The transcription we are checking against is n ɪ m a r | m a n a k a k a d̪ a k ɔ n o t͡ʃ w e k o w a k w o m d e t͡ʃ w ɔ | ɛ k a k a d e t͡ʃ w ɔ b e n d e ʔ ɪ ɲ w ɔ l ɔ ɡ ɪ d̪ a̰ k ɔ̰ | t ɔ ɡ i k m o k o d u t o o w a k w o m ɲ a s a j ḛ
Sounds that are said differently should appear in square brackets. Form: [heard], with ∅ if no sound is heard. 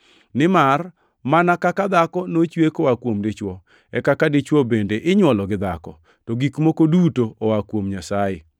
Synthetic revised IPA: n ɪ m a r | m a n a k a k a d̪ a k ɔ n o t͡ʃ w e k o w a k w o m d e t͡ʃ w ɔ | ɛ k a k a d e t͡ʃ w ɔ b e n d e ʔ ɪ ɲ w ɔ l ɔ ɡ ɪ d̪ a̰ k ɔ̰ | t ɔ ɡ i k m o k o d u t o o w a k w o m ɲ a s a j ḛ